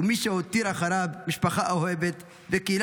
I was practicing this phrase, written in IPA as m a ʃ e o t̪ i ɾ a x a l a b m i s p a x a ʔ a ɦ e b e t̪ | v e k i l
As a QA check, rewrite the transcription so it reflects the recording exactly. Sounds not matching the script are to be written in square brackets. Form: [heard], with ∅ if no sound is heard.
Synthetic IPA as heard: m [i] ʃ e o t̪ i ɾ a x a [ɾ] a b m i [ʃ] p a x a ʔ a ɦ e b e t̪ | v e k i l